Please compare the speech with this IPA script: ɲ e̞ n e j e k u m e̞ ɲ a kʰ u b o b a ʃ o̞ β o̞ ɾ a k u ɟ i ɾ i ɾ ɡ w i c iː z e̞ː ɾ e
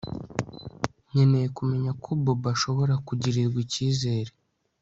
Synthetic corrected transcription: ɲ e̞ n e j e k u m e̞ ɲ a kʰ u b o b a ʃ o̞ β o̞ ɾ a k u ɟ i ɾ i ɾ ɡ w i c iː z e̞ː ɾ e